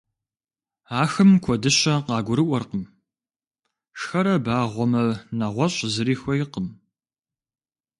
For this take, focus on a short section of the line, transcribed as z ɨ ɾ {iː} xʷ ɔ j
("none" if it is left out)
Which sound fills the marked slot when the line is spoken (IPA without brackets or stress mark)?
iː